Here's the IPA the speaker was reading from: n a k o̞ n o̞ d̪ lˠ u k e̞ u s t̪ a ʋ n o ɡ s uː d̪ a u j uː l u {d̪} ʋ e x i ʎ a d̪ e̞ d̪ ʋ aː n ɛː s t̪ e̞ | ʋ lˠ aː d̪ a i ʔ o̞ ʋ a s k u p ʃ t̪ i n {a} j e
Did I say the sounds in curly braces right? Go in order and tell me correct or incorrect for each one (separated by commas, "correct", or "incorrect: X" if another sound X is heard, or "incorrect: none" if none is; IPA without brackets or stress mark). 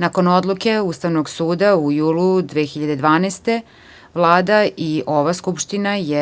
correct, correct